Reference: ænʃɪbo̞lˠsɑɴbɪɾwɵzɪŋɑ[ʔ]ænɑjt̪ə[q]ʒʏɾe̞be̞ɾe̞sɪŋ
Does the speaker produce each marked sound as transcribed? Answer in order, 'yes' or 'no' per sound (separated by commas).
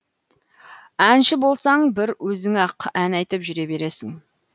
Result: no, no